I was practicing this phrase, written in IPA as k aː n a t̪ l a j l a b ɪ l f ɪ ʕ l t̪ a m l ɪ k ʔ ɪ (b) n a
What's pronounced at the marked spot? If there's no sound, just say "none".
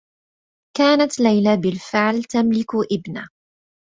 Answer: b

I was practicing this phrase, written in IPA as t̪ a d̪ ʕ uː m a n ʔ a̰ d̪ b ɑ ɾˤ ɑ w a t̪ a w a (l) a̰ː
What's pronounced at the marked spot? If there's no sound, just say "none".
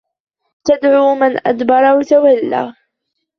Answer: lː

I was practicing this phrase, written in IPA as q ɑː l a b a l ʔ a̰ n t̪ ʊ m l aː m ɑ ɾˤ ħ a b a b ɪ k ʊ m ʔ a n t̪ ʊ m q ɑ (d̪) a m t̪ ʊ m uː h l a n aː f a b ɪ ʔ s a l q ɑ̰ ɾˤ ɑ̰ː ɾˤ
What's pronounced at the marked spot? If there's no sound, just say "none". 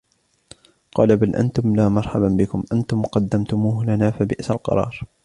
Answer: d̪ː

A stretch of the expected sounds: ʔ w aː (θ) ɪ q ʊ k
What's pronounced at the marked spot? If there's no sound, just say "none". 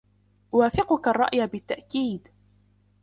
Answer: f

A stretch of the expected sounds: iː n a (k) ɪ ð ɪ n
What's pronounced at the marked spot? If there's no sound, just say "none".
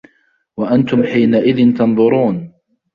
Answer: ʔ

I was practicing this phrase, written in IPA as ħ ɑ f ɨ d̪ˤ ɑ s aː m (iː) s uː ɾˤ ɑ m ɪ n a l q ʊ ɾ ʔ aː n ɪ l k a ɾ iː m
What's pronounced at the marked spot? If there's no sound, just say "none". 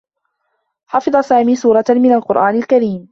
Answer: iː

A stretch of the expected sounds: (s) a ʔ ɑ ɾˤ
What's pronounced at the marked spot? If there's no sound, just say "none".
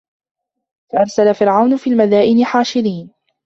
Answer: f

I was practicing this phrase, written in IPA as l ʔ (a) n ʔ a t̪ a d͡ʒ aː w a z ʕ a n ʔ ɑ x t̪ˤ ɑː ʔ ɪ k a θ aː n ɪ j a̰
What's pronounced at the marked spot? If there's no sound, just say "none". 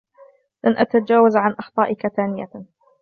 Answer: a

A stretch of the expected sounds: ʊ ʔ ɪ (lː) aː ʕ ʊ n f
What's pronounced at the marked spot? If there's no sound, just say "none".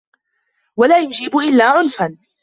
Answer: lː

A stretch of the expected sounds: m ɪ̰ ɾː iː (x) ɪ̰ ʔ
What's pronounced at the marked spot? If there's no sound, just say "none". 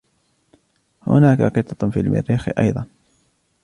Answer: x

